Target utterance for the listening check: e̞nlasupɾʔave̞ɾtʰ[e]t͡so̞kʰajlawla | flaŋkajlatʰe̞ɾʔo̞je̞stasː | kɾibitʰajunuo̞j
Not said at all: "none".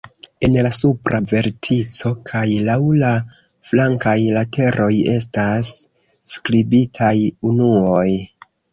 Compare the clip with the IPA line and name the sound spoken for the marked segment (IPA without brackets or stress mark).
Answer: i